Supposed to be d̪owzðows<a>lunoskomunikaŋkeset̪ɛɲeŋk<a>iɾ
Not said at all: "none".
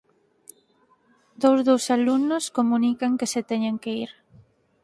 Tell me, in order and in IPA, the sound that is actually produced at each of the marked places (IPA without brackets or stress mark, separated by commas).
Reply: a, e